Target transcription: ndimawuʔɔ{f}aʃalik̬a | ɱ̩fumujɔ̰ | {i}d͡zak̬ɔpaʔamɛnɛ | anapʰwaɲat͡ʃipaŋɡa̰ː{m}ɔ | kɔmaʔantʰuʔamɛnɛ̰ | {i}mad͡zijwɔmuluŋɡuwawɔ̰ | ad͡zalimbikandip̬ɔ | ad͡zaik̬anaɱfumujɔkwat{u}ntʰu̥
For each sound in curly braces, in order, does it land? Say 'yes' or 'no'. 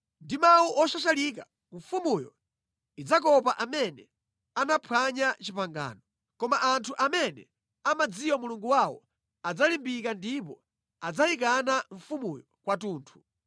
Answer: no, yes, no, no, no

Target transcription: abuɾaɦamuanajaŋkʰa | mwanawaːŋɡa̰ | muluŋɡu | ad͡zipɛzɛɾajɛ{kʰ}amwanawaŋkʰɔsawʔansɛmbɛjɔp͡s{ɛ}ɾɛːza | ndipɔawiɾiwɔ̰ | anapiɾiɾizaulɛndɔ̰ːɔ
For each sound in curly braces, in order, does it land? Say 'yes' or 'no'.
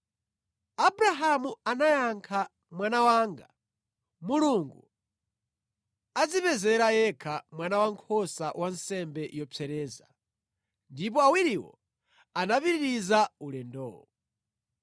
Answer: yes, yes

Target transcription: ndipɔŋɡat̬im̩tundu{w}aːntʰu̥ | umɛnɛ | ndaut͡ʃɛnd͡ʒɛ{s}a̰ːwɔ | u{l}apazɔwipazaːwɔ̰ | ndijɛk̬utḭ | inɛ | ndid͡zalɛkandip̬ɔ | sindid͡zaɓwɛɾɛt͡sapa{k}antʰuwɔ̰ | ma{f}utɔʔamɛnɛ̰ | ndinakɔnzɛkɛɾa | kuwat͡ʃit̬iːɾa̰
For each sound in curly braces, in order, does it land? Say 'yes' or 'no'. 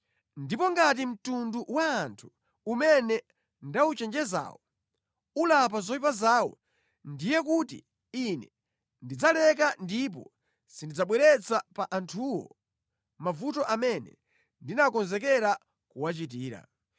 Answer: yes, no, yes, no, no

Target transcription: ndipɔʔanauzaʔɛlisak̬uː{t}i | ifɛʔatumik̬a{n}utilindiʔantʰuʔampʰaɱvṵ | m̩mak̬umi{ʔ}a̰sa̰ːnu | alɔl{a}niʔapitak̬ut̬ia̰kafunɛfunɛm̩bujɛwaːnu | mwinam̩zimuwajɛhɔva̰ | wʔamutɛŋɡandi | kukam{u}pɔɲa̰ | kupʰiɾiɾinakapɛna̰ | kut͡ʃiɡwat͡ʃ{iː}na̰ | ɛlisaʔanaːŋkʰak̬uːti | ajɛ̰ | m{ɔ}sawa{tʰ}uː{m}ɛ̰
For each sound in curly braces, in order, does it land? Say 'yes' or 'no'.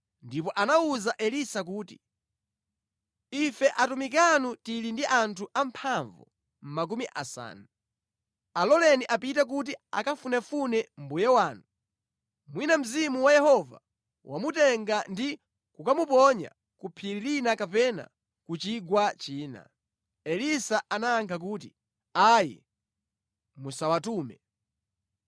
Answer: yes, yes, yes, no, yes, yes, no, no, yes

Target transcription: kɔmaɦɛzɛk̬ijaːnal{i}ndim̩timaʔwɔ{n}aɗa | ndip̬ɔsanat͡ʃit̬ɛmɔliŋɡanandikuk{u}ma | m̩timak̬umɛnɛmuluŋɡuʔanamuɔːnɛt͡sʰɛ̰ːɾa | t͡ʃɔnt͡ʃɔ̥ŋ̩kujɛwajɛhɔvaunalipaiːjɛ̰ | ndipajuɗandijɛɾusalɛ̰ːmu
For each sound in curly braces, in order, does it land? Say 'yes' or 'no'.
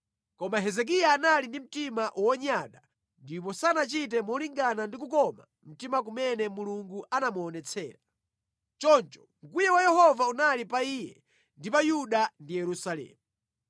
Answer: yes, no, no

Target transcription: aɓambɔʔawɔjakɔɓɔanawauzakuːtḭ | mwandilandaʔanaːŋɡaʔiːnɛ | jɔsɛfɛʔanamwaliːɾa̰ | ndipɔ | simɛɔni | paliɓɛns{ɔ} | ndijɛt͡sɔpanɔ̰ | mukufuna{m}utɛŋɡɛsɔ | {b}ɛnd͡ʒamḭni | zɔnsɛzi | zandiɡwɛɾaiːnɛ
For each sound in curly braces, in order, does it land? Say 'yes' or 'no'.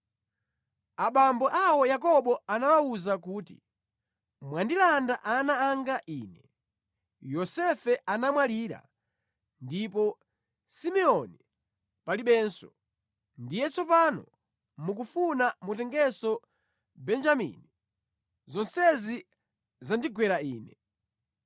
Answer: yes, yes, yes

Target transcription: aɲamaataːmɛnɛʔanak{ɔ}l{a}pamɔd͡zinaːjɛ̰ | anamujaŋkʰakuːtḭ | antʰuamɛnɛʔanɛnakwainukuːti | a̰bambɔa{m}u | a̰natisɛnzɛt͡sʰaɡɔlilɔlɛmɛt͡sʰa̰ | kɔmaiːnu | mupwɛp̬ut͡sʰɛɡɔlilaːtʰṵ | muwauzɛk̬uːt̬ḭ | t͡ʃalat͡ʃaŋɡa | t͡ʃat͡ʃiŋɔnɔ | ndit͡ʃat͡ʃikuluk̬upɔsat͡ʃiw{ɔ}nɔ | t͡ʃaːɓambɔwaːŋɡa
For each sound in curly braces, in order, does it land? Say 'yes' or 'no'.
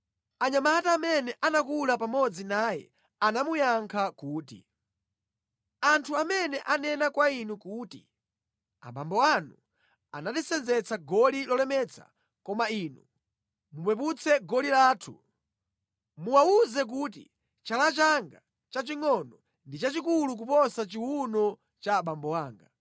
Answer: no, yes, no, no

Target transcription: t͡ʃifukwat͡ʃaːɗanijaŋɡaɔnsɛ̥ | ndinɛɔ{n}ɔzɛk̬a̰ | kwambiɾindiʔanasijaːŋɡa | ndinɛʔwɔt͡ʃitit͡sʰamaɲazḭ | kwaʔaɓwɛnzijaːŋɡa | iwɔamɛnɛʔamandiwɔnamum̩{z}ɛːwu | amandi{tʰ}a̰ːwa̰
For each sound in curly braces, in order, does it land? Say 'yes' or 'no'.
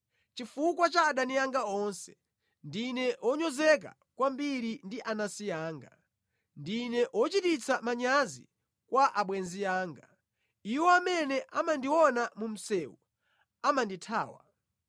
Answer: no, no, yes

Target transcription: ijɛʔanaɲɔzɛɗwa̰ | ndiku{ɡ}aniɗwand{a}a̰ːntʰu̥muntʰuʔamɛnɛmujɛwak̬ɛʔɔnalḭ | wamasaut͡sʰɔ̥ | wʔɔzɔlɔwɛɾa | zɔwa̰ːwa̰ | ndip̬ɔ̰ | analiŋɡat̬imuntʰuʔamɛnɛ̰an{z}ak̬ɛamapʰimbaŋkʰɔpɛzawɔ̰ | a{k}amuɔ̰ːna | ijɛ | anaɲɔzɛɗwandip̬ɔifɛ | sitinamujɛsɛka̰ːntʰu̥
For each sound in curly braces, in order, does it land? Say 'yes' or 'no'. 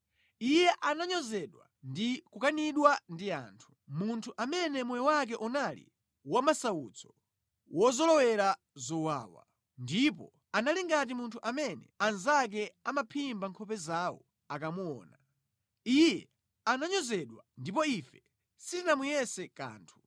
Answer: no, no, yes, yes

